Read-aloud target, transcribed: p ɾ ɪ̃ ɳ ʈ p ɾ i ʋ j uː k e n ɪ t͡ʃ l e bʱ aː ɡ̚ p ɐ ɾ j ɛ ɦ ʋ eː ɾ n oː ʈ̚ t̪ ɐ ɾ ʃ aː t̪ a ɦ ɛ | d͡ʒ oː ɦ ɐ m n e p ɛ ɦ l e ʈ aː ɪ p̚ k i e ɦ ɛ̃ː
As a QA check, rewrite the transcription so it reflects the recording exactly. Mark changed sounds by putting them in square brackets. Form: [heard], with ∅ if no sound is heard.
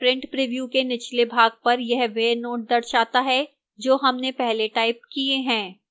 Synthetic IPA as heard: p ɾ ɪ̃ ɳ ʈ p ɾ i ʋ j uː k e n ɪ t͡ʃ l e bʱ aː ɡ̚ p ɐ ɾ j ɛ ɦ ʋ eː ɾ n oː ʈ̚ [d̪] ɐ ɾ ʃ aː t̪ a ɦ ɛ | d͡ʒ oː ɦ ɐ m n e p ɛ ɦ l e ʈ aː ɪ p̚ k i e ɦ ɛ̃ː